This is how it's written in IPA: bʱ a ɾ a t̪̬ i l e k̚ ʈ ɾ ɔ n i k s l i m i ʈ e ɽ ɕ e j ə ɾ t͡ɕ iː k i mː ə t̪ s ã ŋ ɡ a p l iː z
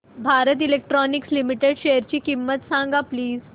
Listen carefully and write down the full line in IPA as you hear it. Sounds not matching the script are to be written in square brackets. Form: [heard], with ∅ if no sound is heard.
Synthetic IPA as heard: bʱ a ɾ [ə] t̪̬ i l e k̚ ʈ ɾ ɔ n i k s l i m i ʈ e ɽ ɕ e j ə ɾ t͡ɕ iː k i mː ə t̪ s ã ŋ ɡ a p l iː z